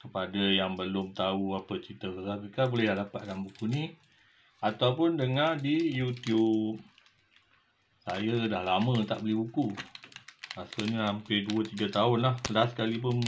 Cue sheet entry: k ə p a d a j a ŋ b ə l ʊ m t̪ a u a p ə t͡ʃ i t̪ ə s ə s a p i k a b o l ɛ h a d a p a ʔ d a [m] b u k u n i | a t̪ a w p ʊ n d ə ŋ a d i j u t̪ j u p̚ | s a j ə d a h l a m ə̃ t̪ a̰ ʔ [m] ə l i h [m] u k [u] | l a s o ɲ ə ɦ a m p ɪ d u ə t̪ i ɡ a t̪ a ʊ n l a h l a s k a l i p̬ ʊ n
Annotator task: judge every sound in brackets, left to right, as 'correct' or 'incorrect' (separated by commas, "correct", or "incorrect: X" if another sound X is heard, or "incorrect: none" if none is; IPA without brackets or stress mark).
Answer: correct, incorrect: b, incorrect: b, correct